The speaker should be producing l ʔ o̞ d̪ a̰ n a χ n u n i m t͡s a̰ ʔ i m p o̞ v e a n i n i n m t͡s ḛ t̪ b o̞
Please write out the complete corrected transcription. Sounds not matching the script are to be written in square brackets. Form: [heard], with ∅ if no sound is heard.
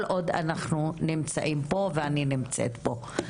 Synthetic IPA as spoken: l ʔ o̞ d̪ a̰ n a χ n u n i m t͡s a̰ ʔ i m p o̞ v e a n i n i [∅] m t͡s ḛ t̪ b o̞